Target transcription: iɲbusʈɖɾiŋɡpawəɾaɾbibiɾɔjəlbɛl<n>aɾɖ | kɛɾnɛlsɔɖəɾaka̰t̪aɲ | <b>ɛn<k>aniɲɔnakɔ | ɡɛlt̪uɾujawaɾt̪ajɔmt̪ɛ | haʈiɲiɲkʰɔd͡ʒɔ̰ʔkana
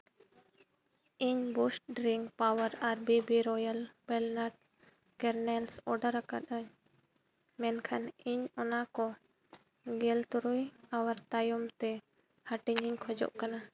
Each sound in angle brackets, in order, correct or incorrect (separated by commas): correct, incorrect, incorrect